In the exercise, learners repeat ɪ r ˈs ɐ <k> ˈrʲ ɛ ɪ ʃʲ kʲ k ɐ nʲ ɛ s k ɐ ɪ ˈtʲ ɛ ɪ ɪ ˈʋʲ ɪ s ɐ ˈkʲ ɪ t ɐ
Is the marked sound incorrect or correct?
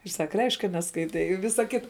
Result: correct